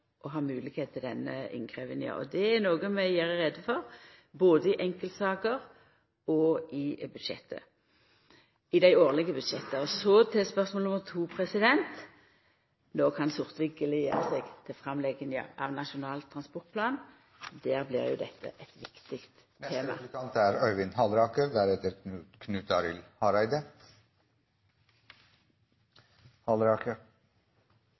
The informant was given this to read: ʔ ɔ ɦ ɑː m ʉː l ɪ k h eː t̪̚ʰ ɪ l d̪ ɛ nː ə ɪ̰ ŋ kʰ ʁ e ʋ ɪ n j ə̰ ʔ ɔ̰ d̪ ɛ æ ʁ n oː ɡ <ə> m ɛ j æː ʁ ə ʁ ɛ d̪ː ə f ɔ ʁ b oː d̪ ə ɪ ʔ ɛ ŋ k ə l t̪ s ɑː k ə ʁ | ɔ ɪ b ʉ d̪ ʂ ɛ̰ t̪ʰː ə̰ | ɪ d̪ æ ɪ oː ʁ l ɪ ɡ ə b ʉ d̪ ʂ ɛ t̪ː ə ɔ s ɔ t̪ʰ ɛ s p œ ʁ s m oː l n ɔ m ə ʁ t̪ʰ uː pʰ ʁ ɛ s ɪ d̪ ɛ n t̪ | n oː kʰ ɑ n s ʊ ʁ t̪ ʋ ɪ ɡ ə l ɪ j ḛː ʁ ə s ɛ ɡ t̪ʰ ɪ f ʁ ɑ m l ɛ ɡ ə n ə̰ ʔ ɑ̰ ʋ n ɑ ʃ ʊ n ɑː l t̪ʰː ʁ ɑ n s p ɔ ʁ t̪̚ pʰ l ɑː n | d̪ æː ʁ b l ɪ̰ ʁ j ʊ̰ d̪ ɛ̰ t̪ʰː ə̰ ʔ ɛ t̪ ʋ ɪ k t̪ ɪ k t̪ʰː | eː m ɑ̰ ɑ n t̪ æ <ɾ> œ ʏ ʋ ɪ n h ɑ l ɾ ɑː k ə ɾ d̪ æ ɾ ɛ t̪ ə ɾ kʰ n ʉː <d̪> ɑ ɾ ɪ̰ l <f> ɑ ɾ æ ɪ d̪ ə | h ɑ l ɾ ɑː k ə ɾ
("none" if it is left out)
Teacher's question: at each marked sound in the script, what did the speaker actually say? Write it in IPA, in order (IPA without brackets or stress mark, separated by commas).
ə, ɾ, t̪, h